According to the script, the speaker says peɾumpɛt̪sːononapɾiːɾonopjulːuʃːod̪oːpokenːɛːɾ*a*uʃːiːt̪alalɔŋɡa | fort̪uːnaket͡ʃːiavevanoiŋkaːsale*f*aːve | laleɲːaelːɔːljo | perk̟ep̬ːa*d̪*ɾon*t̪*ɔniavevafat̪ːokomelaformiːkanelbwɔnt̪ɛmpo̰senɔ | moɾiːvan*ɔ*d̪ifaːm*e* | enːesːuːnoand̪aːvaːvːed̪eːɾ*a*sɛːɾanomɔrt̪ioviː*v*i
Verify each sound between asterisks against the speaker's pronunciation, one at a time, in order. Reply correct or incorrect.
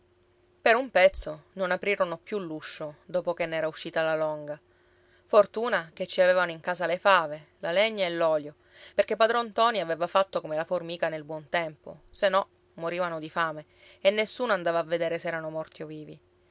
correct, correct, correct, correct, incorrect, correct, incorrect, correct

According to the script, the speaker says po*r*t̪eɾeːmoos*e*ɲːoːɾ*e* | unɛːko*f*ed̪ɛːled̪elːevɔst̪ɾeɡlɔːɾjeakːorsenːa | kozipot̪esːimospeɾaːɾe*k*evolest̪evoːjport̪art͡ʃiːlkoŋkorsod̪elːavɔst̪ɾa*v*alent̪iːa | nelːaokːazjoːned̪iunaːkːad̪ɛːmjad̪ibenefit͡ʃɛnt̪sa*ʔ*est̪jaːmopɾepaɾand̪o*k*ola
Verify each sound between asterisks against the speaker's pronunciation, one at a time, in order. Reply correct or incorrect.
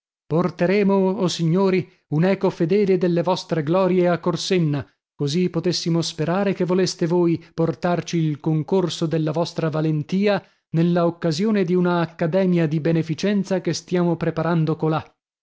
correct, incorrect, incorrect, correct, correct, correct, incorrect, correct

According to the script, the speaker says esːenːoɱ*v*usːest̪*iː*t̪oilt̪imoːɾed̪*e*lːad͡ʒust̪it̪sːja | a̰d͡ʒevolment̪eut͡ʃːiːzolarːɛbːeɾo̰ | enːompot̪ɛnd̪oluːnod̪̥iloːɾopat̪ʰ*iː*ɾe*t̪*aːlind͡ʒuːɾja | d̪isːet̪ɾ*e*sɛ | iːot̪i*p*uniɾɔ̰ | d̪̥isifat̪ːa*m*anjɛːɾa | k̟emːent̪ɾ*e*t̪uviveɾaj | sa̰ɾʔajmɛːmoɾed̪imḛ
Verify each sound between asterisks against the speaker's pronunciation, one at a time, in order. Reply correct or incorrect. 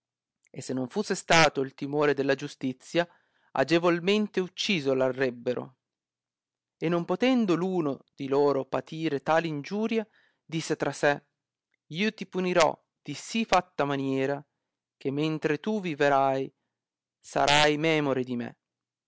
incorrect, incorrect, correct, correct, correct, incorrect, correct, correct, correct

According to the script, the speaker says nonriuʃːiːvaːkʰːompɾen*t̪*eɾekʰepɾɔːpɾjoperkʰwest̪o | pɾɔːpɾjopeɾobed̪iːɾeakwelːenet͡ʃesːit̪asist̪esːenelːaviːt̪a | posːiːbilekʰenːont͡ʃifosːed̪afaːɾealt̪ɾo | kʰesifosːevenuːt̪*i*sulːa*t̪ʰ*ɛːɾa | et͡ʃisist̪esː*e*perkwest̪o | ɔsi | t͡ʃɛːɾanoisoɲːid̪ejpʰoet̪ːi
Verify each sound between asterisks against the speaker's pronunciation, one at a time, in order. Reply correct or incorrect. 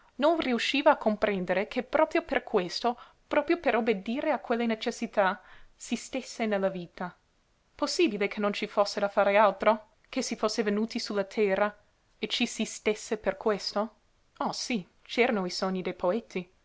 incorrect, correct, correct, correct

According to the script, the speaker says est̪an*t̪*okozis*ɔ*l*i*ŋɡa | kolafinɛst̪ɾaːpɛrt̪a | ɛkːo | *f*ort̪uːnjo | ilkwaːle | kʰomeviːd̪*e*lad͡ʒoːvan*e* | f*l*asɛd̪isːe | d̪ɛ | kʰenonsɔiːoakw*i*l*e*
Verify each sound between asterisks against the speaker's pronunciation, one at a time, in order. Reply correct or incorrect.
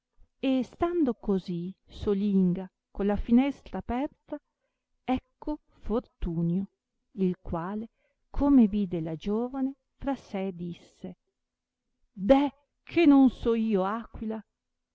incorrect, incorrect, correct, correct, correct, correct, incorrect, correct, incorrect

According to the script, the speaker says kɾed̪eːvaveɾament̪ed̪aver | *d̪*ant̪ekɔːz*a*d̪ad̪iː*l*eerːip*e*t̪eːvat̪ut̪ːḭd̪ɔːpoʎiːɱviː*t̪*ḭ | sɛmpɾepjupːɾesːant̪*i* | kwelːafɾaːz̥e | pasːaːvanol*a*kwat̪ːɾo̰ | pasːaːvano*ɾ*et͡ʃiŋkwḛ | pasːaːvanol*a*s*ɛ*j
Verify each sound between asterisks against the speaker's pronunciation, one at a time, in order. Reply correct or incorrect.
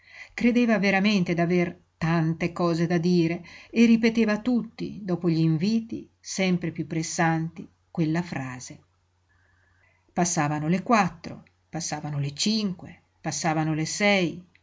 incorrect, incorrect, incorrect, correct, correct, correct, incorrect, incorrect, incorrect, correct

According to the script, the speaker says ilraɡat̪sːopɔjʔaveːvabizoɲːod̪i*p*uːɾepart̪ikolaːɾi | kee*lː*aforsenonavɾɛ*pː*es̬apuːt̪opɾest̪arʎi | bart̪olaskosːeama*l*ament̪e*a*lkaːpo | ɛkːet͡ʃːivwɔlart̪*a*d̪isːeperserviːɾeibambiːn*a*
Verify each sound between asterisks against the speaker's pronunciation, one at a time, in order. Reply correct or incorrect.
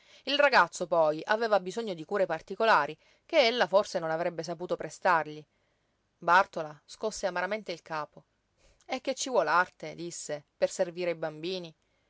incorrect, correct, incorrect, incorrect, incorrect, incorrect, incorrect

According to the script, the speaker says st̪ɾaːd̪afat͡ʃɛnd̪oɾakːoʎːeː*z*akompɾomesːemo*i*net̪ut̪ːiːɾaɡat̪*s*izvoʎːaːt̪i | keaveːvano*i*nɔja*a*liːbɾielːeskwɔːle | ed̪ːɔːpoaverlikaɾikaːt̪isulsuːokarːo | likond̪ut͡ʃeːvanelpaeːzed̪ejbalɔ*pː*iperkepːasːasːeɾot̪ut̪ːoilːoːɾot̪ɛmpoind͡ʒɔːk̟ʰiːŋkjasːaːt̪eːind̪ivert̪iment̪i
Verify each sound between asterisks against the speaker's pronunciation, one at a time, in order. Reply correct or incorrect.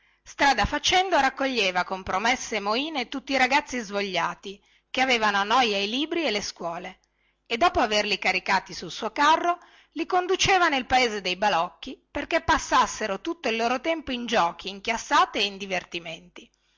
incorrect, incorrect, incorrect, incorrect, incorrect, incorrect

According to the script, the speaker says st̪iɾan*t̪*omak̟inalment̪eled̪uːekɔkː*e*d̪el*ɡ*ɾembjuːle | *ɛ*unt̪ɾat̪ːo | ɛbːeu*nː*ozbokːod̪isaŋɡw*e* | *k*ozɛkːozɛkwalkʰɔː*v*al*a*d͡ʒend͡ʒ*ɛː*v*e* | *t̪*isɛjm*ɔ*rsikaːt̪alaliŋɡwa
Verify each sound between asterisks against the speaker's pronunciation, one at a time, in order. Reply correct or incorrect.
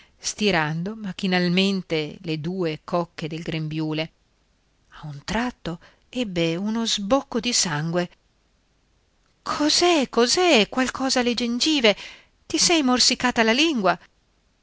incorrect, correct, correct, incorrect, incorrect, correct, incorrect, incorrect, incorrect, incorrect, correct, correct, incorrect

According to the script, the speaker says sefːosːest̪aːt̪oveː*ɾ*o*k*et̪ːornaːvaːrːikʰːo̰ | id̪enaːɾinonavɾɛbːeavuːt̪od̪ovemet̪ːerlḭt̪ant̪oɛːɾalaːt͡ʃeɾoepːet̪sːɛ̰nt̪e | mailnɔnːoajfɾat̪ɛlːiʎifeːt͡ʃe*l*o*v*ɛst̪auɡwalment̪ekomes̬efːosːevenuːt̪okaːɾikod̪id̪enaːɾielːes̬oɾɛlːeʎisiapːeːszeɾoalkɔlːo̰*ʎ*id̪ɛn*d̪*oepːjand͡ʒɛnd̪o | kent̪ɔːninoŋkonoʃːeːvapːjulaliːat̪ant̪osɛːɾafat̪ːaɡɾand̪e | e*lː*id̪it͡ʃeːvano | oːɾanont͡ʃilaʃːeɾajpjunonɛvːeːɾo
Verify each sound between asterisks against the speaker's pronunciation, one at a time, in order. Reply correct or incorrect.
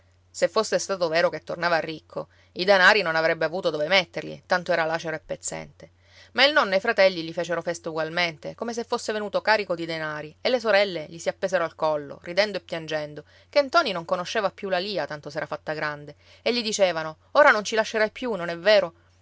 correct, correct, incorrect, incorrect, incorrect, correct, incorrect

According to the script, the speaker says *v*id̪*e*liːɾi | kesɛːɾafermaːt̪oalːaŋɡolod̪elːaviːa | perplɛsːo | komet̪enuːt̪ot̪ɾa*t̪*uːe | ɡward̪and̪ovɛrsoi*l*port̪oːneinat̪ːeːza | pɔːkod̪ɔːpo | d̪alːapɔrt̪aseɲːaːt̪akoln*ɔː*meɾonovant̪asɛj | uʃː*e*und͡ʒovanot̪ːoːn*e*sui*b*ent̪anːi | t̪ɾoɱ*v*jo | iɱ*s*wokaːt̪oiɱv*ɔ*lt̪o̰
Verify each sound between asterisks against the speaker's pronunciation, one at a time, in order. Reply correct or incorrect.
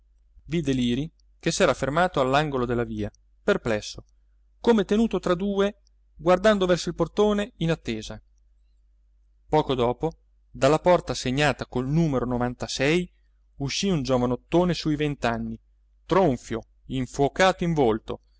correct, correct, incorrect, correct, incorrect, incorrect, correct, incorrect, incorrect, incorrect, incorrect

